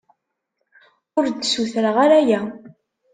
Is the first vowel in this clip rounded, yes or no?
yes